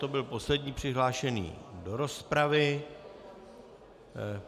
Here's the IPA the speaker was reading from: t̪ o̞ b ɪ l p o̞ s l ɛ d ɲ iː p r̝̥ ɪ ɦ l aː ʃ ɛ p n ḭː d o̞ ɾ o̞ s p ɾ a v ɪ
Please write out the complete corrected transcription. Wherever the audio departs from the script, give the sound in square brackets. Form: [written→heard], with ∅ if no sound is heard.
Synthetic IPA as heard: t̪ o̞ b ɪ l p o̞ s l ɛ d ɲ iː p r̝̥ ɪ ɦ l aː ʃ ɛ [p→∅] n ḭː d o̞ ɾ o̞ s p ɾ a v ɪ